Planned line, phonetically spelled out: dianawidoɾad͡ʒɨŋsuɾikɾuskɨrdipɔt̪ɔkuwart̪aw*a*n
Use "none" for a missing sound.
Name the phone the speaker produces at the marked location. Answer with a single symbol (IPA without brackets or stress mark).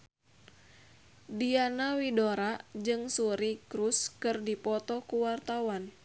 a